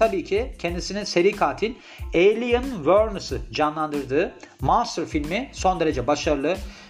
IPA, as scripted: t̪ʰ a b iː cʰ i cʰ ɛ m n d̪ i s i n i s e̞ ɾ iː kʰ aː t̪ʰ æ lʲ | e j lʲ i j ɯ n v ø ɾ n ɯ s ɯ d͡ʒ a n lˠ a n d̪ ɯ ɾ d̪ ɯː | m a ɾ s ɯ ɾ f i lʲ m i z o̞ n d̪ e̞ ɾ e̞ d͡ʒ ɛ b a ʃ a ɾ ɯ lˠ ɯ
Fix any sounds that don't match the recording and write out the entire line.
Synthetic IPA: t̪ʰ a b iː cʰ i cʰ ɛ n d̪ i s i n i s e̞ ɾ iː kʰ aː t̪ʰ i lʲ | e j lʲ i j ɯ n v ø ɾ n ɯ s ɯ d͡ʒ a n lˠ a n d̪ ɯ ɾ d̪ ɯː | m a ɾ s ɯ ɾ f i lʲ m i s o̞ n d̪ e̞ ɾ e̞ d͡ʒ ɛ b a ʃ a ɾ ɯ lˠ ɯ